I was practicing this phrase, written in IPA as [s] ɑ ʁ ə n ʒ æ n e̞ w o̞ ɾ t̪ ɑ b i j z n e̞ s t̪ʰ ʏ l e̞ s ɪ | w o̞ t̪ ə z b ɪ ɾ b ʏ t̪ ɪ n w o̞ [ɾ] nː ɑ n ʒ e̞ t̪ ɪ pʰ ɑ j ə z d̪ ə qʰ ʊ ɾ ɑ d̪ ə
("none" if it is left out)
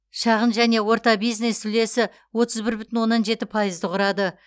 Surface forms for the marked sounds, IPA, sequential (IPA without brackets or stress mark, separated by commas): ʃ, none